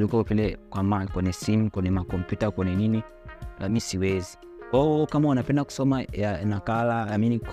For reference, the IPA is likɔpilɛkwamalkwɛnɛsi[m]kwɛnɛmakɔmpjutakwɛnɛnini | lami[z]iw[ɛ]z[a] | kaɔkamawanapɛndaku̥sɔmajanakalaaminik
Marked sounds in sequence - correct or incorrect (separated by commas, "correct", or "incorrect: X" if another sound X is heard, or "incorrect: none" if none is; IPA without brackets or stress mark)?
correct, incorrect: s, correct, incorrect: i